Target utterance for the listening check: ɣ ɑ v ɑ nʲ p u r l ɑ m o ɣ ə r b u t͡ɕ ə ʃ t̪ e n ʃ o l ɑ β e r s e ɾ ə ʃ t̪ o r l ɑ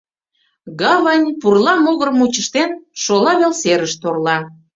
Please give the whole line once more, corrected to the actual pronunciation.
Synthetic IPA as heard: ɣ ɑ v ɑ nʲ p u r l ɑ m o ɣ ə r m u t͡ɕ ə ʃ t̪ e n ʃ o l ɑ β e l s e ɾ ə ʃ t̪ o r l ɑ